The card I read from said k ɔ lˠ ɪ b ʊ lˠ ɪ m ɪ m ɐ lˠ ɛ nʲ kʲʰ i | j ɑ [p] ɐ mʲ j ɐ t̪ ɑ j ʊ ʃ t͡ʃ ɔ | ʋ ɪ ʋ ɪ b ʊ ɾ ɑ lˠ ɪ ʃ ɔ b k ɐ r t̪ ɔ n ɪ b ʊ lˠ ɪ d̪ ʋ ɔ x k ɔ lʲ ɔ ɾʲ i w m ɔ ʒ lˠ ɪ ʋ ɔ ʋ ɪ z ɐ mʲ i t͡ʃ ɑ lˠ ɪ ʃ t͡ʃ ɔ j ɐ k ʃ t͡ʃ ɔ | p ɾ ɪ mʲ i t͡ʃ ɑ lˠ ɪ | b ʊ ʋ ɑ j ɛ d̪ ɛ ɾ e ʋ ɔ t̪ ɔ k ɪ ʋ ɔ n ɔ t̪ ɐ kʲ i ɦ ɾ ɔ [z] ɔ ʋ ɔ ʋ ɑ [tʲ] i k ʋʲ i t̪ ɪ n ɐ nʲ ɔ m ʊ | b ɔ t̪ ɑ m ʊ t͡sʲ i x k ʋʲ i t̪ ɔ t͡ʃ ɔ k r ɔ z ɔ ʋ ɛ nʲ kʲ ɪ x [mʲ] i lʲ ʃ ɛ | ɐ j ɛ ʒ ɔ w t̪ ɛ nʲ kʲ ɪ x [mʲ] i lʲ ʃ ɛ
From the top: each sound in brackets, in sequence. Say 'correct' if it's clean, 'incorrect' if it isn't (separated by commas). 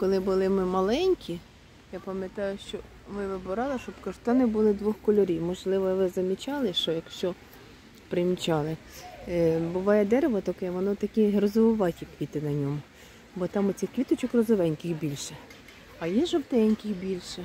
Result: correct, correct, correct, incorrect, incorrect